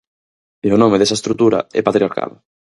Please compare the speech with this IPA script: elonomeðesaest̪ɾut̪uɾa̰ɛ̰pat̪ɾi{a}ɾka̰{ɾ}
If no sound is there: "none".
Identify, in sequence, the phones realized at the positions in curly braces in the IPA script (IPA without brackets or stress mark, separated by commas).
a, l